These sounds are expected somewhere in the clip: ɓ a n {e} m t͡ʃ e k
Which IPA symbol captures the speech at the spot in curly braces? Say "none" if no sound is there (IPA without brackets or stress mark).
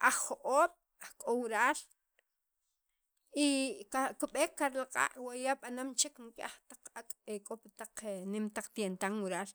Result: a